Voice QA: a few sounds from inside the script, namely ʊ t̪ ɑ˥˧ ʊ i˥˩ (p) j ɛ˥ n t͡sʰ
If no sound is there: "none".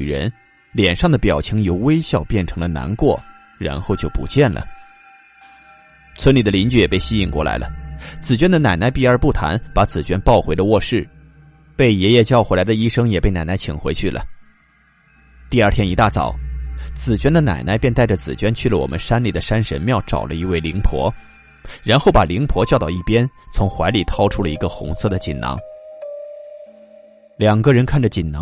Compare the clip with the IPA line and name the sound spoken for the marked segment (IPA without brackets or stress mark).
p